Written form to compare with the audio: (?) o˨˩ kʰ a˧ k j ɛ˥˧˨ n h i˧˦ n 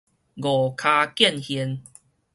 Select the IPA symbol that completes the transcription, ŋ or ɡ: ɡ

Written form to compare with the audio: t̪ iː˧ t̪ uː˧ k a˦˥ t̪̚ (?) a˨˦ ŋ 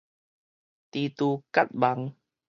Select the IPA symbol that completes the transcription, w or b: b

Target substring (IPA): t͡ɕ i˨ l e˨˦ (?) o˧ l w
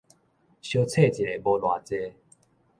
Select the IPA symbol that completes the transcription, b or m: b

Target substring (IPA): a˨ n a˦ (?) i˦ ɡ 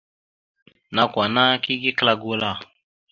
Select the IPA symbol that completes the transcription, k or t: k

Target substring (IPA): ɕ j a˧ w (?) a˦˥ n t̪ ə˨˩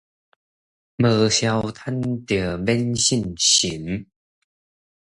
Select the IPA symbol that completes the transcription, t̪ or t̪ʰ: t̪ʰ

